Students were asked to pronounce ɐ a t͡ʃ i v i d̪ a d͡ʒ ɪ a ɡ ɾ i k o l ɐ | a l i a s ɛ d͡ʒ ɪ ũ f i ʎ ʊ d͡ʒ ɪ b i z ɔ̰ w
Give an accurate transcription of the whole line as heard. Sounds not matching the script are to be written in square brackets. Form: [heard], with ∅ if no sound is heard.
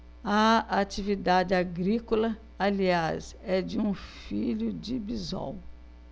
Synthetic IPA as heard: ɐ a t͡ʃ i v i d̪ a d͡ʒ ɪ a ɡ ɾ i k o l ɐ | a l i a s ɛ d͡ʒ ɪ ũ f i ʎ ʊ d͡ʒ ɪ b i z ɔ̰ w